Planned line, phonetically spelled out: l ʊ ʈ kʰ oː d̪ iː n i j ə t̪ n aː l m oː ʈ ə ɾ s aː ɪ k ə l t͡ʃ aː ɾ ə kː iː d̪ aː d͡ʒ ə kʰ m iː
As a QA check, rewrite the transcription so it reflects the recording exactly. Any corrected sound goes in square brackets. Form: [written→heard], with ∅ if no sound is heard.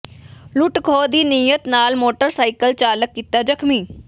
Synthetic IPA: l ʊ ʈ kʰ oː d̪ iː n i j ə t̪ n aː l m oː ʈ ə ɾ s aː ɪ k ə l t͡ʃ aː [ɾ→l] ə kː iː [d̪→t̪] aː d͡ʒ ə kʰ m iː